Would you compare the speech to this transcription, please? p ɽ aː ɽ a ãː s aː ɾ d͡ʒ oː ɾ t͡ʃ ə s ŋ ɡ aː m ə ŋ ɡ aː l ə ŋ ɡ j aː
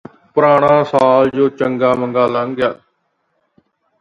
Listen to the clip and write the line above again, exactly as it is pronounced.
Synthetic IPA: p ɾ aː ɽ a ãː s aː l d͡ʒ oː t͡ʃ ə ŋ ɡ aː m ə ŋ ɡ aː l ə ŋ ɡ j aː